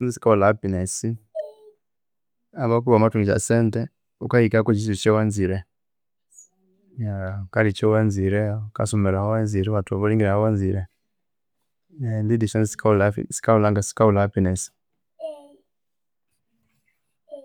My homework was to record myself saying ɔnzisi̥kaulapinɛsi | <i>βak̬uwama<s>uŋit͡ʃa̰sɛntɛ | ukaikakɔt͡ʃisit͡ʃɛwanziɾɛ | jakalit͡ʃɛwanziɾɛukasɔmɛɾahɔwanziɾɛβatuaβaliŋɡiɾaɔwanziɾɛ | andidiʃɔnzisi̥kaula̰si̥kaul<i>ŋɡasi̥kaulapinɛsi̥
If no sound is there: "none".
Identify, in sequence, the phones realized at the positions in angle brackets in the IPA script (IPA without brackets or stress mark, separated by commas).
a, t, a